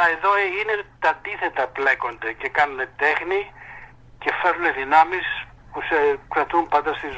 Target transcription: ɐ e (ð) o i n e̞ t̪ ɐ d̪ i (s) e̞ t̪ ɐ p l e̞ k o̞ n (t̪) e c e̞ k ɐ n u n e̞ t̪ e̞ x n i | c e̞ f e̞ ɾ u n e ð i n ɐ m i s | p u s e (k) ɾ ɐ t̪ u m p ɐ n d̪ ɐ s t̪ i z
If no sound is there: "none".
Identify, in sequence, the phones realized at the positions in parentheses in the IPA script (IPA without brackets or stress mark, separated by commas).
ð, θ, d̪, k